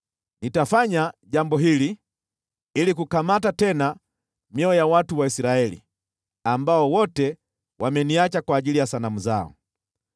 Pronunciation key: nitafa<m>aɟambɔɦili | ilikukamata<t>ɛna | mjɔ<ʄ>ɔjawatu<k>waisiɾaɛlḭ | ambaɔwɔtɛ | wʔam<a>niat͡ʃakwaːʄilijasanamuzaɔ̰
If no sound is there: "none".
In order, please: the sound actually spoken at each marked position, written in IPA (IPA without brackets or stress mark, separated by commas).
ɲ, t, none, none, ɛ